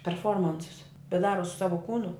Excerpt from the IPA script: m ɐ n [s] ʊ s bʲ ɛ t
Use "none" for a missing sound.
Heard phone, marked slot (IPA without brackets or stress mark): s